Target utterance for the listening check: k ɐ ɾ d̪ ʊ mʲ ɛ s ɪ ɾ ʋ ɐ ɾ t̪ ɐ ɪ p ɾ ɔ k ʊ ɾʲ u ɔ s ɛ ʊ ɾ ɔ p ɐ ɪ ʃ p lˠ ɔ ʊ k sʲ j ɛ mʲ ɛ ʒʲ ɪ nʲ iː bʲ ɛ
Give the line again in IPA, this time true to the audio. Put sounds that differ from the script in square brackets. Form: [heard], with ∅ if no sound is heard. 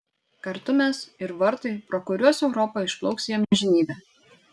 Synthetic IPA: k ɐ ɾ [t̪] ʊ mʲ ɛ s ɪ ɾ ʋ ɐ ɾ t̪ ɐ ɪ p ɾ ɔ k ʊ ɾʲ u ɔ s ɛ ʊ ɾ ɔ p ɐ ɪ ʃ p lˠ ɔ ʊ k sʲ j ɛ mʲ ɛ ʒʲ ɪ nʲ iː bʲ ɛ